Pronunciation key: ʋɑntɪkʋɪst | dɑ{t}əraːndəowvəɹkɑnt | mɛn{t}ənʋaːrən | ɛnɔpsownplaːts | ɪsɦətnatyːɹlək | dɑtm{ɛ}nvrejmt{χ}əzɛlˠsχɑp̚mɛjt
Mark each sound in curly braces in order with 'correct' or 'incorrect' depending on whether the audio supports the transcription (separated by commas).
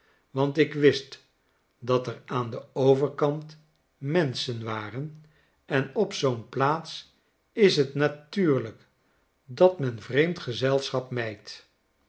correct, incorrect, correct, correct